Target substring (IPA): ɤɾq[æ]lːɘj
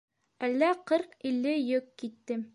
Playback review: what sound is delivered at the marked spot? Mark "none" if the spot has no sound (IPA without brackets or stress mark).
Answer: i